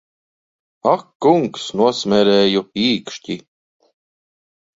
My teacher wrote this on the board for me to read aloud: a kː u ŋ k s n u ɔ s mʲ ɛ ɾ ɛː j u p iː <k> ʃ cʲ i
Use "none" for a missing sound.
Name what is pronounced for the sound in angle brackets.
k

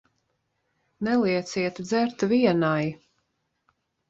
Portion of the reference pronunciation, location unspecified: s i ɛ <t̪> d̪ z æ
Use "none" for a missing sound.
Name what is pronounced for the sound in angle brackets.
t̪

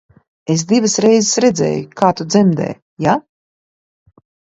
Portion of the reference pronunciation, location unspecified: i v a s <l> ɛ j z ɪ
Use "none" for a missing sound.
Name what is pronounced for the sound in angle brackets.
ɾ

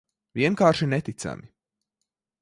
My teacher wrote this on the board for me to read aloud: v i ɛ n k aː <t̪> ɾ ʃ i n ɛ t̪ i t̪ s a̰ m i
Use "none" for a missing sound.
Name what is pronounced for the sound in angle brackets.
none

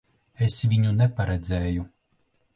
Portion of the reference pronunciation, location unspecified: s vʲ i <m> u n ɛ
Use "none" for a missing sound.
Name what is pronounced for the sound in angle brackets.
ɲ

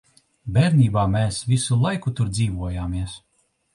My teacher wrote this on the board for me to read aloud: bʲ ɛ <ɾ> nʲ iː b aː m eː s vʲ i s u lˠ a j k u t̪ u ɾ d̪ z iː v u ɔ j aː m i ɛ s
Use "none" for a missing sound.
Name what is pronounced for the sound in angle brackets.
ɾ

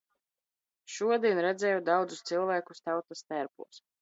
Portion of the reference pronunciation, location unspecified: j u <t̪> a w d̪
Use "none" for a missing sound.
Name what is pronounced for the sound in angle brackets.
d̪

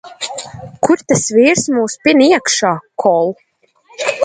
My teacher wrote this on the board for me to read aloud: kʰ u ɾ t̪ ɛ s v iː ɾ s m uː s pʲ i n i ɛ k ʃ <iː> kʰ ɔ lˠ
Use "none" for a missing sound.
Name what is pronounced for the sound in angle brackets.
aː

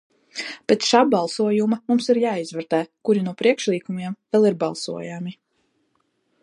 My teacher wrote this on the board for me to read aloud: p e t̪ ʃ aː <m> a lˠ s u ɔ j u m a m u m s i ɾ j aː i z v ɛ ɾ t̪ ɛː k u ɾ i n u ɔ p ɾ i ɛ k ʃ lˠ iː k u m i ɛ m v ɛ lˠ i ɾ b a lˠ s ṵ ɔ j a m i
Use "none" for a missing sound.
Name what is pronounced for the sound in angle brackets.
b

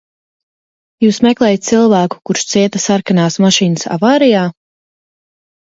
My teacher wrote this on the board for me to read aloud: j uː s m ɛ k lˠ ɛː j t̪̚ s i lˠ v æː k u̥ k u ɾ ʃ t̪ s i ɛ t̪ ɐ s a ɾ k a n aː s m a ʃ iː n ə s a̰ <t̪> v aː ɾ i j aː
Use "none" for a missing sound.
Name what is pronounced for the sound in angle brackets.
none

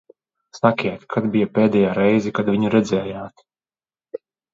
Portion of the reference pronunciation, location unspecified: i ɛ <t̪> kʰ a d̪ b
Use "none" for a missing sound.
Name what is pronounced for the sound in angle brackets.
t̪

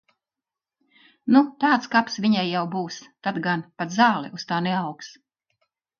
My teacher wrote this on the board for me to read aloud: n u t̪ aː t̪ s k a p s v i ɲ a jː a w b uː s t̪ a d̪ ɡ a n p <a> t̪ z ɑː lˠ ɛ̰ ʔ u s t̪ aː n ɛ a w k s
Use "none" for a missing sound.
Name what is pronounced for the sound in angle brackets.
a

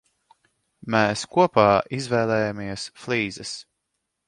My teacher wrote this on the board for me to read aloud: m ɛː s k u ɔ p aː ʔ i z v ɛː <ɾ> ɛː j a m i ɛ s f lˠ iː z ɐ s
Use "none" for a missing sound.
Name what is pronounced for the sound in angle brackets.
l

